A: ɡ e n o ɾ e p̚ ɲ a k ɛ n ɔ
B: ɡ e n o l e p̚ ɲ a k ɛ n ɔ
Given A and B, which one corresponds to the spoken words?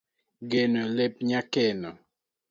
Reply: B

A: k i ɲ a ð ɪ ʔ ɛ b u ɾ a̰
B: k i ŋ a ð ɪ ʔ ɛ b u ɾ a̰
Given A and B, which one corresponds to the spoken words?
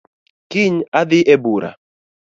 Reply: A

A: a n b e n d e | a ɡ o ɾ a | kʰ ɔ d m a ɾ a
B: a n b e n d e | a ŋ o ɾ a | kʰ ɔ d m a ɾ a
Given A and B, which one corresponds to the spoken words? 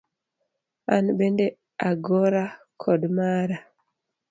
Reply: A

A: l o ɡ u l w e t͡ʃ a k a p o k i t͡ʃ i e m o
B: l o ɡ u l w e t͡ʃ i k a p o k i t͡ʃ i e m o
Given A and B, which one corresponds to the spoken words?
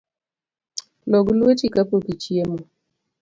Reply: B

